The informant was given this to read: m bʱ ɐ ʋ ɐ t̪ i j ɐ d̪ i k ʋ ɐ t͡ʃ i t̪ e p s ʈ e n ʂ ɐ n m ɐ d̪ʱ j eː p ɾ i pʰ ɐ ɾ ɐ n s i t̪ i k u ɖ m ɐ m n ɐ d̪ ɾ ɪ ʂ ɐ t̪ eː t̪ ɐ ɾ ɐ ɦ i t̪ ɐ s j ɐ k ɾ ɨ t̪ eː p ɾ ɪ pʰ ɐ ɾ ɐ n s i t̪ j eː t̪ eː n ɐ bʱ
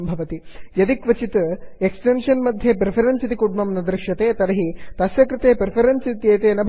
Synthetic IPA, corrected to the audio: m bʱ ɐ ʋ ɐ t̪ i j ɐ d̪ i k ʋ ɐ t͡ʃ i t̪ e k s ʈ e n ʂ ɐ n m ɐ d̪ʱ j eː p ɾ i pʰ ɐ ɾ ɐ n s i t̪ i k u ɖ m ɐ m n ɐ d̪ ɾ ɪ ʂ ɐ t̪ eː t̪ ɐ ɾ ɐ ɦ i t̪ ɐ s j ɐ k ɾ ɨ t̪ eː p ɾ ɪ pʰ ɐ ɾ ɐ n s i t̪ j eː t̪ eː n ɐ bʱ